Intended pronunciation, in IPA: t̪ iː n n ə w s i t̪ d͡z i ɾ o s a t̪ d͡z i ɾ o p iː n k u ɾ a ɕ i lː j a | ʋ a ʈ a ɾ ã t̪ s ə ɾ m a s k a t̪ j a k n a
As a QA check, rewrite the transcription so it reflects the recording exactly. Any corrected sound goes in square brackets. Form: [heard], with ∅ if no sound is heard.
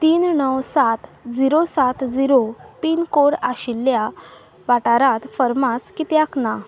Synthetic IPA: t̪ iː n n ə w s [a] t̪ d͡z i ɾ o s a t̪ d͡z i ɾ o p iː n k [o] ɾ a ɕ i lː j a | ʋ a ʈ a ɾ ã t̪ [f] ə ɾ m a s k [i] t̪ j a k n a